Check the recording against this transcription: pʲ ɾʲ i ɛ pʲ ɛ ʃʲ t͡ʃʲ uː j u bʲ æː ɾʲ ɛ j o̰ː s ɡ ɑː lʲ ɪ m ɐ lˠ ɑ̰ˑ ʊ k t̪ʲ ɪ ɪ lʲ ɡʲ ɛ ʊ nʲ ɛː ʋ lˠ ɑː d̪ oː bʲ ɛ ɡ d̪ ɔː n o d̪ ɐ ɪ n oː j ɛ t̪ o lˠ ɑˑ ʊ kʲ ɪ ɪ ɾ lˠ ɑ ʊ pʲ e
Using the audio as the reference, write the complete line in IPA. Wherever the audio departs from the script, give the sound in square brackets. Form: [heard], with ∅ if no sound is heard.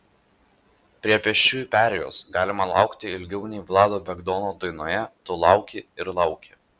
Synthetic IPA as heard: pʲ ɾʲ i ɛ pʲ ɛ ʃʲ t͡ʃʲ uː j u [pʲ] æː ɾʲ ɛ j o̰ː s ɡ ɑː lʲ ɪ m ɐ lˠ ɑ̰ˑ ʊ k t̪ʲ ɪ ɪ lʲ ɡʲ ɛ ʊ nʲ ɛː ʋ lˠ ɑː d̪ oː bʲ ɛ ɡ d̪ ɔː n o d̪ ɐ ɪ n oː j ɛ t̪ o lˠ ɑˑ ʊ kʲ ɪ ɪ ɾ lˠ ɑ ʊ [kʲ] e

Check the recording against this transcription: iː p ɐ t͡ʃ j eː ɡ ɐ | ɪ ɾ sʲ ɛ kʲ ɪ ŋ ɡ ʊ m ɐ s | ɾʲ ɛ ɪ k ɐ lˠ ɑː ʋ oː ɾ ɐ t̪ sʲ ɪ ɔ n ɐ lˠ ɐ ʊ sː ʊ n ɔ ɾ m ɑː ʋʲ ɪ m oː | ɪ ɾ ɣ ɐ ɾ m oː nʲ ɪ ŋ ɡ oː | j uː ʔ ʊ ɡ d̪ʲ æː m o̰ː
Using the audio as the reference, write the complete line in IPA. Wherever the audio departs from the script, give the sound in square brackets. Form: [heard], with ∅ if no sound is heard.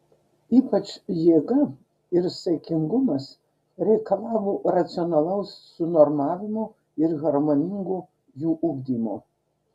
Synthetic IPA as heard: iː p ɐ t͡ʃ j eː ɡ ɐ | ɪ ɾ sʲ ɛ kʲ ɪ ŋ ɡ ʊ m ɐ s | ɾʲ ɛ ɪ k ɐ lˠ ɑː ʋ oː ɾ ɐ t̪ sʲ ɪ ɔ n ɐ lˠ ɐ ʊ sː ʊ n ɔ ɾ m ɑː ʋʲ ɪ m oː | ɪ ɾ ɣ ɐ ɾ m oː nʲ ɪ ŋ ɡ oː | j uː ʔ ʊ ɡ d̪ʲ [iː] m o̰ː

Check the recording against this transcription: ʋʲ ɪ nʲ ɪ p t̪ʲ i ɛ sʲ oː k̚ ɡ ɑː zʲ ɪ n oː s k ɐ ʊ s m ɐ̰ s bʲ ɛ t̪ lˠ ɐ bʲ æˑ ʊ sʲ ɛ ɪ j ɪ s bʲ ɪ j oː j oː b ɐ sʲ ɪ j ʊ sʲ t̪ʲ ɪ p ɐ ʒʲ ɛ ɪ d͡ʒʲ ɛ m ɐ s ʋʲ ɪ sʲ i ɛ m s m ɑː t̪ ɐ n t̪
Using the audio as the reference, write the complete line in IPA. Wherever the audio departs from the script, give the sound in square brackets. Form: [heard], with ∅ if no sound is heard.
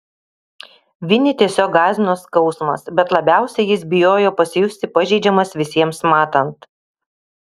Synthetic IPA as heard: ʋʲ ɪ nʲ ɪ [∅] t̪ʲ i ɛ sʲ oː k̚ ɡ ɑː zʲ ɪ n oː s k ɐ ʊ s m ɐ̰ s bʲ ɛ t̪ lˠ ɐ bʲ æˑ ʊ sʲ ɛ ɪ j ɪ s bʲ ɪ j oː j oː [p] ɐ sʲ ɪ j ʊ sʲ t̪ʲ ɪ p ɐ ʒʲ ɛ ɪ d͡ʒʲ ɛ m ɐ s ʋʲ ɪ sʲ i ɛ m s m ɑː t̪ ɐ n t̪

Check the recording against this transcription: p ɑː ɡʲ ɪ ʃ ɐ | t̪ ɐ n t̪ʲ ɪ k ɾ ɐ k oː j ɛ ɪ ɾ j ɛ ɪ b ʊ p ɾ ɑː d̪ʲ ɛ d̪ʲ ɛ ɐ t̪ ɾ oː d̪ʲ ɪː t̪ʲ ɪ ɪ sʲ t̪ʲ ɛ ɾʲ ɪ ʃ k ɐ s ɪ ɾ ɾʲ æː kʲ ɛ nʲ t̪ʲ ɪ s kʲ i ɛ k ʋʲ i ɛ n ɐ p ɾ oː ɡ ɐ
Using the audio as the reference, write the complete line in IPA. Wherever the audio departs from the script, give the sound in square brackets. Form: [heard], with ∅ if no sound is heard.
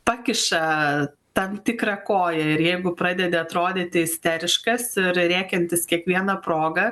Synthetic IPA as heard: p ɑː [kʲ] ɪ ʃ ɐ | t̪ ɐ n t̪ʲ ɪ k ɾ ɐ k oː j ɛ ɪ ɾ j ɛ ɪ [ɡ] ʊ p ɾ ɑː d̪ʲ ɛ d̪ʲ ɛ ɐ t̪ ɾ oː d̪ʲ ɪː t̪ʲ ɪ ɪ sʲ t̪ʲ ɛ ɾʲ ɪ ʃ k ɐ s ɪ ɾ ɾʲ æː kʲ ɛ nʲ t̪ʲ ɪ s kʲ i ɛ k ʋʲ i ɛ n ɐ p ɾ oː ɡ ɐ

